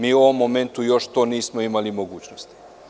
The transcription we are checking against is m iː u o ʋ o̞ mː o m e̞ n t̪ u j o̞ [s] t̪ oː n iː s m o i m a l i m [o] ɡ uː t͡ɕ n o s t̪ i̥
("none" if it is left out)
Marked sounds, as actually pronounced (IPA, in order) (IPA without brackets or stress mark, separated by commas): ʃ, o